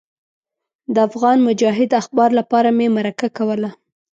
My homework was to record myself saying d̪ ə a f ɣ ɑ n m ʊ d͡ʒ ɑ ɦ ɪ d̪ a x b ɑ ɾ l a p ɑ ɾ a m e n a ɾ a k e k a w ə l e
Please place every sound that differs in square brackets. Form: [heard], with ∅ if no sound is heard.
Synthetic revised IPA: d̪ ə a f ɣ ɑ n m ʊ d͡ʒ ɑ ɦ ɪ d̪ a x b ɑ ɾ l a p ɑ ɾ a m e [m] a ɾ a k [a] k a w ə l [a]